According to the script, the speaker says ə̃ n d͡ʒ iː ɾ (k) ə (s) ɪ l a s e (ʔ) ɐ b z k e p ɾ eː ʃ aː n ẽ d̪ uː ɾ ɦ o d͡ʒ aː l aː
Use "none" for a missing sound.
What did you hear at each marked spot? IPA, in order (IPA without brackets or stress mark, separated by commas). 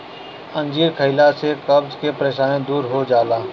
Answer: kʰ, none, k